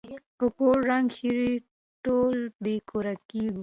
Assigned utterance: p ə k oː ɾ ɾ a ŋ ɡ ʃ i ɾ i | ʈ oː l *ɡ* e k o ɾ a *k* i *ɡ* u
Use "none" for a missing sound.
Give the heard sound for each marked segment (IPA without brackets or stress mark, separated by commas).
b, k, ɡ